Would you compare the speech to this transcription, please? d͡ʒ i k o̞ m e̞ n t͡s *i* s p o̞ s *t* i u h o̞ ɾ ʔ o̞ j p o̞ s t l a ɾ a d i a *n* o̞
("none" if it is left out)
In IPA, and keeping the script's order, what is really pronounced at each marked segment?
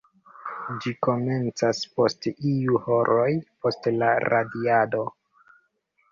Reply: a, t, d

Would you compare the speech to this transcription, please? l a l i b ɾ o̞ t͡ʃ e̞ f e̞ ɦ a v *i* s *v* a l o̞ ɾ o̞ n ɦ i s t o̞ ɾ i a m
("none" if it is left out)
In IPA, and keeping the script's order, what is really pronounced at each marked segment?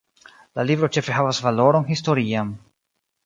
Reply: a, v

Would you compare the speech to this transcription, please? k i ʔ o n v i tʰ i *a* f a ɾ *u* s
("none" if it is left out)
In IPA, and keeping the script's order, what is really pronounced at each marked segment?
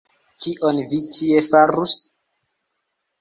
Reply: e, u

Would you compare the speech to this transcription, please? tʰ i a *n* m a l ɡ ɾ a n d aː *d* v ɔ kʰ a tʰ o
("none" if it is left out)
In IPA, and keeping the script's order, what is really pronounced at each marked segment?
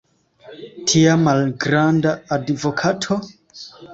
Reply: none, d

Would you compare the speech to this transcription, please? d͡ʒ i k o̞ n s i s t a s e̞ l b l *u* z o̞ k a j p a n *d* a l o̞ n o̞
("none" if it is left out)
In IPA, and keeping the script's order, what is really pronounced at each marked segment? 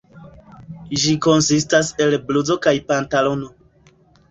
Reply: u, t

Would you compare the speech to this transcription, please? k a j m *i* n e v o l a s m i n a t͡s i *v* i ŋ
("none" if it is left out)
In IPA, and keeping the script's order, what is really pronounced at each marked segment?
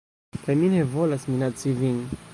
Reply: i, v

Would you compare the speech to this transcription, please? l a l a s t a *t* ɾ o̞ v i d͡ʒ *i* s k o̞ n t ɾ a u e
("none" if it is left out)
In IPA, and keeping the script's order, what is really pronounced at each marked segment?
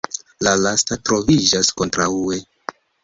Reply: t, a

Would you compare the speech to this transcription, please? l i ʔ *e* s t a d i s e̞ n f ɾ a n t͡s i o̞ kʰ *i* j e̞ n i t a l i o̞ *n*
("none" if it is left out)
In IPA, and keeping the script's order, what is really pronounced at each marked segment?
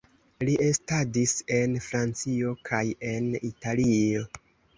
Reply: e, a, none

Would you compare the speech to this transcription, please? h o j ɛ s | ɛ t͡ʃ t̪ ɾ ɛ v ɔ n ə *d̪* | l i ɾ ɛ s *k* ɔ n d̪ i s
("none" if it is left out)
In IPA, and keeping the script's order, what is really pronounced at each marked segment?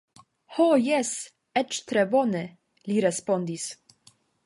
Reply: none, p

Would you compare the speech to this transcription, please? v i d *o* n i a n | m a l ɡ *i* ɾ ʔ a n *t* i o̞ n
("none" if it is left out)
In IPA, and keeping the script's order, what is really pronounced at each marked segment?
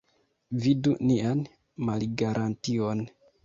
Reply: u, a, t

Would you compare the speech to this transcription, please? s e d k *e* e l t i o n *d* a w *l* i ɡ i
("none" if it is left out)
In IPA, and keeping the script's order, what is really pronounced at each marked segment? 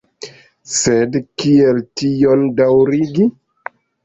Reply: i, d, ɾ

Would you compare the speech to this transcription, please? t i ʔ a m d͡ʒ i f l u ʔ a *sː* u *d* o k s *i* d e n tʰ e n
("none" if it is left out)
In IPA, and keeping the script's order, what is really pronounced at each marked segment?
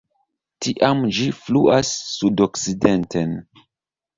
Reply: sː, d, i

